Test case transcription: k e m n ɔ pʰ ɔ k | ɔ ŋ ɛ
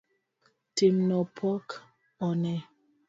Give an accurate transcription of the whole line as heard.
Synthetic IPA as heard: t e m n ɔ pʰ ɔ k | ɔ n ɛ